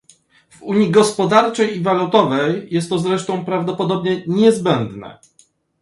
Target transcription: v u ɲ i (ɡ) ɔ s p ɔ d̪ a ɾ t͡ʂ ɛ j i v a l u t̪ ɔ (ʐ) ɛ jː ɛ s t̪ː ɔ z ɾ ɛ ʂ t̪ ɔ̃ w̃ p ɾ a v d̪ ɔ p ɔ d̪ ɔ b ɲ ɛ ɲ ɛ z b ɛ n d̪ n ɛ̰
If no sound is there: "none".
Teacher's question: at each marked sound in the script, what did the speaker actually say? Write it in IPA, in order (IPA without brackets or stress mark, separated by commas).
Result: ɡ, v